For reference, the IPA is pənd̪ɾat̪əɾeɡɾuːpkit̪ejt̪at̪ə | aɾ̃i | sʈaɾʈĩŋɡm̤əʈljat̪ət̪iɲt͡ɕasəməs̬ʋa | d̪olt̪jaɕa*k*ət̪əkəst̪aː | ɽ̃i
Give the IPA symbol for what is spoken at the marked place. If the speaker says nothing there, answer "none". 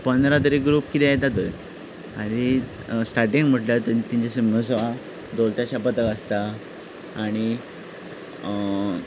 p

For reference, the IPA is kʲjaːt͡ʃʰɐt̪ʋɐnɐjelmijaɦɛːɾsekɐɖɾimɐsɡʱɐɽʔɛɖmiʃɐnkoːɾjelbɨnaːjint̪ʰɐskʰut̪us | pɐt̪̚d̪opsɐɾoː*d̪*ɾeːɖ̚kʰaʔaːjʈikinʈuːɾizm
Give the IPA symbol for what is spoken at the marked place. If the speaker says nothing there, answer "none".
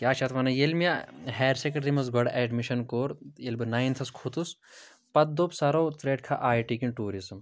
t̪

